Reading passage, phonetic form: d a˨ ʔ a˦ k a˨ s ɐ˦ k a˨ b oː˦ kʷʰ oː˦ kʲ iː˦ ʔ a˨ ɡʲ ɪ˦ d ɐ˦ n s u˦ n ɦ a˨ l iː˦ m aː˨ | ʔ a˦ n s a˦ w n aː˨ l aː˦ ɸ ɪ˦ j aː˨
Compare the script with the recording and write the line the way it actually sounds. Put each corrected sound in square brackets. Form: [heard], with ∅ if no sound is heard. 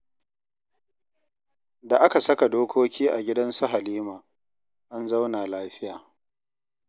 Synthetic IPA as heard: d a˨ ʔ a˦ k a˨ s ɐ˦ k a˨ [d] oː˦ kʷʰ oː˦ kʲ iː˦ ʔ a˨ ɡʲ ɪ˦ d ɐ˦ n s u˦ [∅] ɦ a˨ l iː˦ m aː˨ | ʔ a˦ n [z] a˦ w n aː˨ l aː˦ ɸ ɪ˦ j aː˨